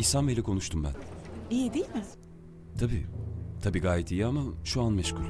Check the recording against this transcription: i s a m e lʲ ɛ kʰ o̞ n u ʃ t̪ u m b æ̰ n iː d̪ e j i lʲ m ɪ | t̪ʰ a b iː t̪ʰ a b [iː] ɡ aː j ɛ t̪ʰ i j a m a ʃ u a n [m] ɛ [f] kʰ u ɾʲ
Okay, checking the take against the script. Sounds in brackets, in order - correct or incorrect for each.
correct, correct, incorrect

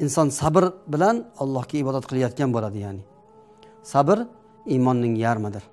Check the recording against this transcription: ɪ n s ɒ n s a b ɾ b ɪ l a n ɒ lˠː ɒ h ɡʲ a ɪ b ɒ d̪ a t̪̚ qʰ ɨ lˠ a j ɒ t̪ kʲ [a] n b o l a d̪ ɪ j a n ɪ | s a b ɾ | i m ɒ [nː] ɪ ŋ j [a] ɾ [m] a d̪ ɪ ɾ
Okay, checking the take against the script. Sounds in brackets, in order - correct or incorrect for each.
correct, correct, correct, correct

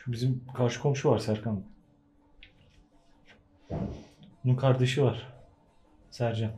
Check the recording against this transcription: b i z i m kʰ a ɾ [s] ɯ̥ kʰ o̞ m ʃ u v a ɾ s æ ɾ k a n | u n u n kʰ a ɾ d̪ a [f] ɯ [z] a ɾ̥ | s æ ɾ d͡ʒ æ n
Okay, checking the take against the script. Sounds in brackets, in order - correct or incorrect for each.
incorrect, incorrect, incorrect

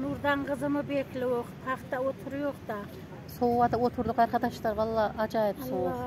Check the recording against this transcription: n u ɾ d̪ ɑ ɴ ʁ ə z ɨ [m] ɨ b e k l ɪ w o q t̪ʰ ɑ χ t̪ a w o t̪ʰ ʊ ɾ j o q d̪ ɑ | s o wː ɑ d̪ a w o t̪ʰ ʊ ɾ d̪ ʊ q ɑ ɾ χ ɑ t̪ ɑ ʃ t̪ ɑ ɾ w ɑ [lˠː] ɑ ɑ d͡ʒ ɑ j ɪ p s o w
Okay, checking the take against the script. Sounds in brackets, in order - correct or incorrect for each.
correct, correct

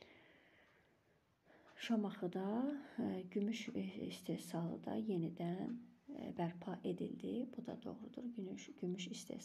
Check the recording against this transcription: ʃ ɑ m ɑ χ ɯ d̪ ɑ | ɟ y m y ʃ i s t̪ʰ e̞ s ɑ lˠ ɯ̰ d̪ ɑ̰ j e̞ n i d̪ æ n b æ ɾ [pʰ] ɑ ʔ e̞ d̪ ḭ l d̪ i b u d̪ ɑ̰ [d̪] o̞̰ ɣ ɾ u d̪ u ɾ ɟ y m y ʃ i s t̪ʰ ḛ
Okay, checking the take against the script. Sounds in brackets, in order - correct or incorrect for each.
correct, correct

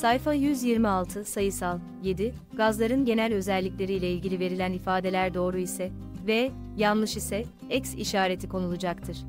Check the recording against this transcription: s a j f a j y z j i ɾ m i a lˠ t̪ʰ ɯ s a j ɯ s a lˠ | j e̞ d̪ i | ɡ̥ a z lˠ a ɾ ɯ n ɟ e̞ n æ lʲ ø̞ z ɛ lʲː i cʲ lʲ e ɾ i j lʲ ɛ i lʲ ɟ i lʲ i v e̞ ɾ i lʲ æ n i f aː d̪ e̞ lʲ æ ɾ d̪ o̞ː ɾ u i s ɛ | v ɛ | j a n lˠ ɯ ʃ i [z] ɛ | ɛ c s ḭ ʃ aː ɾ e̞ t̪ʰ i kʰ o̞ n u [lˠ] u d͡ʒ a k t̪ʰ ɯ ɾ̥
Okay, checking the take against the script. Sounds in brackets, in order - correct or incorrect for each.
incorrect, correct

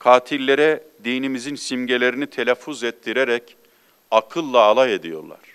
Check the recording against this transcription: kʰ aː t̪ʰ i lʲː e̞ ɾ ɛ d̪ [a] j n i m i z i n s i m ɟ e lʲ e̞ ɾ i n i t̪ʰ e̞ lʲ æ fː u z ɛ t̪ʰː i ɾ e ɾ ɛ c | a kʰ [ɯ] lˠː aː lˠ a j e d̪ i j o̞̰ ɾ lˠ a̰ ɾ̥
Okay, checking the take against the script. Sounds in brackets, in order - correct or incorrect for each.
incorrect, correct

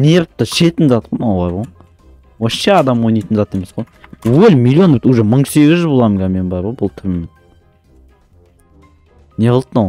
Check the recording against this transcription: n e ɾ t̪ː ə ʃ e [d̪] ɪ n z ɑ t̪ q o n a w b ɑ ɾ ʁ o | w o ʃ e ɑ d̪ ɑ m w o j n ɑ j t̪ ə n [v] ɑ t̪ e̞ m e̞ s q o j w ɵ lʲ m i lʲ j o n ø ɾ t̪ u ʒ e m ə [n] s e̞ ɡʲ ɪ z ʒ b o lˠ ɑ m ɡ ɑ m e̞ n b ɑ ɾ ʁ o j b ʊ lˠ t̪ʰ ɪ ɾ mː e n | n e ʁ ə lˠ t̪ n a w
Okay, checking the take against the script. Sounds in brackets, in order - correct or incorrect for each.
incorrect, incorrect, incorrect

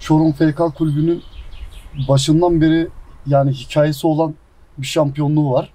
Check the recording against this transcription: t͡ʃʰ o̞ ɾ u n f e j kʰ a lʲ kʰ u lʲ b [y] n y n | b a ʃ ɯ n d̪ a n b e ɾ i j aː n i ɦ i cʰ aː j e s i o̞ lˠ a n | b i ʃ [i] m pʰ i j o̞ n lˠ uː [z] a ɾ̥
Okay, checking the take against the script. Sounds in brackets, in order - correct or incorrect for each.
correct, incorrect, incorrect

